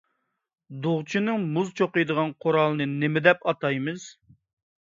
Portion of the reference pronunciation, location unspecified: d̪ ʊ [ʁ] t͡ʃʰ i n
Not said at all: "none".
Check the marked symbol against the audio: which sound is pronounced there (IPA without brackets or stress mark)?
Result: ʁ